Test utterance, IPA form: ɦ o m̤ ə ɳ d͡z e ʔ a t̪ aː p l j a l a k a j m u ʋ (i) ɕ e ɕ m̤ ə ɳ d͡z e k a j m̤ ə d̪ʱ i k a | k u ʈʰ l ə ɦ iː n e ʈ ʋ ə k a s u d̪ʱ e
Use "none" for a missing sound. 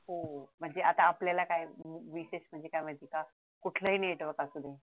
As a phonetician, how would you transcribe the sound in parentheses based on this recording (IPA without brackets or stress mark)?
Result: i